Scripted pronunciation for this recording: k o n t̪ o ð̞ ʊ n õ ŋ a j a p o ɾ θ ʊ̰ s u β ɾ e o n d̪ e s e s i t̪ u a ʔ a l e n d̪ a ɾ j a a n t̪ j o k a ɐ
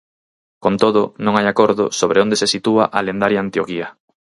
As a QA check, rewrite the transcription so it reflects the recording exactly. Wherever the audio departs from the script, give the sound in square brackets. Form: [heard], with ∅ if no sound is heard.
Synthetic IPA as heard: k o n t̪ o ð̞ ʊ n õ ŋ a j a [k] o ɾ [ð] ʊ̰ s [o] β ɾ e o n d̪ e s e s i t̪ u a ʔ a l e n d̪ a ɾ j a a n t̪ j o k [i] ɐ